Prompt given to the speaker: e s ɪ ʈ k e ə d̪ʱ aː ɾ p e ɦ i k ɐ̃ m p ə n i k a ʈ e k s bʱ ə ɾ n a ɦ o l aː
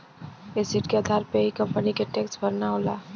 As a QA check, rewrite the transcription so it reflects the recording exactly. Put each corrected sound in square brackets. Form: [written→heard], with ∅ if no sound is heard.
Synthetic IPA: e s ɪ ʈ k e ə d̪ʱ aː ɾ p e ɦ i k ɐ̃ m p ə n i k [a→e] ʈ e k s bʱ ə ɾ n a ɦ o l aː